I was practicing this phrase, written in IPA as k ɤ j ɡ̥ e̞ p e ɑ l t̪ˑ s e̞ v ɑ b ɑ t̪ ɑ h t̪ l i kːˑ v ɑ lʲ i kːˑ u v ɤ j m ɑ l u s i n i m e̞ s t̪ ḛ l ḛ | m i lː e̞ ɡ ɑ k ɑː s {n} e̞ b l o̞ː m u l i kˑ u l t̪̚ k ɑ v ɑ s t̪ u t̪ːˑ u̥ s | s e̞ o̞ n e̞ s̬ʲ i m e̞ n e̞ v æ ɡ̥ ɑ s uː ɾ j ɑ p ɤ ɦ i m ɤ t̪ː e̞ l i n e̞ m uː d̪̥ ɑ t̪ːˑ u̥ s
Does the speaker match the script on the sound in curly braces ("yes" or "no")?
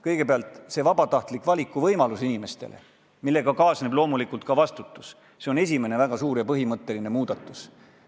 yes